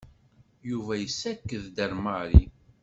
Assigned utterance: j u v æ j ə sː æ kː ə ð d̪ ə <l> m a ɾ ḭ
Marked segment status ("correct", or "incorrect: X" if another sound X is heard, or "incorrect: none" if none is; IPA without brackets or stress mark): incorrect: ɾ